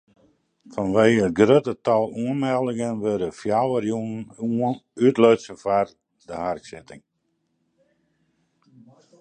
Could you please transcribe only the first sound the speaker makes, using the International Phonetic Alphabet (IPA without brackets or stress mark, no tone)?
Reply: f